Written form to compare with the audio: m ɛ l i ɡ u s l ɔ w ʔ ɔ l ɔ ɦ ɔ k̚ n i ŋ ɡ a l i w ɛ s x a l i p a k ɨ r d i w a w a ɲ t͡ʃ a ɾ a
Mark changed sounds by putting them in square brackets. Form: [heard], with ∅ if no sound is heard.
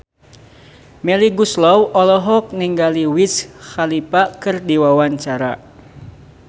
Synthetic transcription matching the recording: m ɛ l i ɡ u s l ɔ w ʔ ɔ l ɔ ɦ ɔ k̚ n i ŋ ɡ a l i w [i] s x a l i p a k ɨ r d i w a w a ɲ t͡ʃ a ɾ a